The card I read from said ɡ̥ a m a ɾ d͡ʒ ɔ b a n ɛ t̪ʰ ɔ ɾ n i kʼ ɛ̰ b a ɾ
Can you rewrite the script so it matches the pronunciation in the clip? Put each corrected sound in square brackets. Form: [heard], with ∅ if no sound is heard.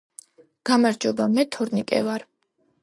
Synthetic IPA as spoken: ɡ̥ a m a ɾ d͡ʒ ɔ b a [m] ɛ t̪ʰ ɔ ɾ n i kʼ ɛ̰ [v] a ɾ